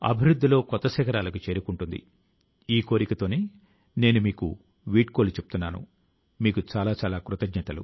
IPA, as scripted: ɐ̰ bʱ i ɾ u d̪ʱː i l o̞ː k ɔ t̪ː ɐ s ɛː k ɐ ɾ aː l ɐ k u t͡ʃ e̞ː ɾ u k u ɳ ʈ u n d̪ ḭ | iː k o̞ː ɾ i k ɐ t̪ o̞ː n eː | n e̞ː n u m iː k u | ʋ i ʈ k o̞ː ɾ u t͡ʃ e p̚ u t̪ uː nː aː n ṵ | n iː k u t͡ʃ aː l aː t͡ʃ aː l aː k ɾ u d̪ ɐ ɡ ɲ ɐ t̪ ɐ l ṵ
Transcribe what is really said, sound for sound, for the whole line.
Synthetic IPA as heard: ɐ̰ bʱ i ɾ u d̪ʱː i l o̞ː k ɔ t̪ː ɐ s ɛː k ɐ ɾ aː l ɐ k u t͡ʃ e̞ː ɾ u k u ɳ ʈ u n d̪ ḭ | iː k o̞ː ɾ i k ɐ t̪ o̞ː n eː | n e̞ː n u m iː k u | ʋ iː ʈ k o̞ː l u t͡ʃ e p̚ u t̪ u nː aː n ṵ | m iː k u t͡ʃ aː l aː t͡ʃ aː l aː k ɾ u t̪ ɐ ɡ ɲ ɐ t̪ ɐ l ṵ